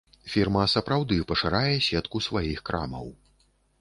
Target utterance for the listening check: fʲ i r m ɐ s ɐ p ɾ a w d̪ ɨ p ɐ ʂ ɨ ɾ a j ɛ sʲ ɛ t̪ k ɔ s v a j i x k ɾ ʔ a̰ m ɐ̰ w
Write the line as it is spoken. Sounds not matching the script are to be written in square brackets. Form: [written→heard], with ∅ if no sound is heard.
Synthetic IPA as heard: fʲ i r m ɐ s ɐ p ɾ a w d̪ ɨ p ɐ ʂ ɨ ɾ a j ɛ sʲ ɛ t̪ k [ɔ→u] s v a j i x k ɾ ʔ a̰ m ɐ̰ w